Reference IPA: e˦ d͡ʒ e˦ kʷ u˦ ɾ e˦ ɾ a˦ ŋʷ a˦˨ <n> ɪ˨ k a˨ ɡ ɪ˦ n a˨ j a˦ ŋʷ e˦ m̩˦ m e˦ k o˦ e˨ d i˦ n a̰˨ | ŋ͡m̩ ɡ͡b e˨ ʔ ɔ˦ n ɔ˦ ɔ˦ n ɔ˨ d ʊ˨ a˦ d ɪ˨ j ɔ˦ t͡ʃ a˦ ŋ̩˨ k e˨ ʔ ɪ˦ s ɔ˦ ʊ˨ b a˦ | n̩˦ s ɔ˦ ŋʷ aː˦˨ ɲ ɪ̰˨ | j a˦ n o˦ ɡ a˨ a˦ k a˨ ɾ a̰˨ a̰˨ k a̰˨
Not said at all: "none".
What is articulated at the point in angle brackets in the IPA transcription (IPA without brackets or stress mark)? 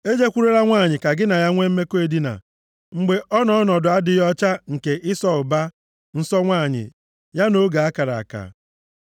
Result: ɲ